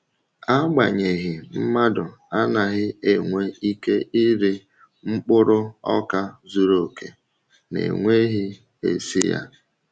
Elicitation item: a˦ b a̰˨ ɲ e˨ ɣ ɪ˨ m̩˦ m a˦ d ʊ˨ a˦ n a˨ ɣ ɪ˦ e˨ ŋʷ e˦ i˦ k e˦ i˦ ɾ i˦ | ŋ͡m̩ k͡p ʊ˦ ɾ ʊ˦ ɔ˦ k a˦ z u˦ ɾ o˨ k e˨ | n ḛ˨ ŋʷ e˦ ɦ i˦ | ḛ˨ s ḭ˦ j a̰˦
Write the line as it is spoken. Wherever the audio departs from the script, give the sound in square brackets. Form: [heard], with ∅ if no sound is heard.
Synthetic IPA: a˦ [ɡ͡b] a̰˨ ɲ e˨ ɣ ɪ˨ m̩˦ m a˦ d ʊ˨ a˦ n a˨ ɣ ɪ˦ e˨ ŋʷ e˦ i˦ k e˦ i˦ ɾ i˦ | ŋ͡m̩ k͡p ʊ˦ ɾ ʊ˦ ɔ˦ k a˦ z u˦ ɾ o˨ k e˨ | n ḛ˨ ŋʷ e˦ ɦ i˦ | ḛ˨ s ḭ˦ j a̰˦